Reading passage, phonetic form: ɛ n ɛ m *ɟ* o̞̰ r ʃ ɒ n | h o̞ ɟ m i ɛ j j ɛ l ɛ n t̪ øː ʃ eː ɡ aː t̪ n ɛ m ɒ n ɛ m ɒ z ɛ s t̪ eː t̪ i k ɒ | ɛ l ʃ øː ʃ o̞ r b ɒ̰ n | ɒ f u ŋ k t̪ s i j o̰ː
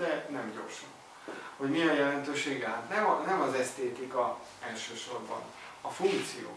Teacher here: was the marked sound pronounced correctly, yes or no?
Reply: yes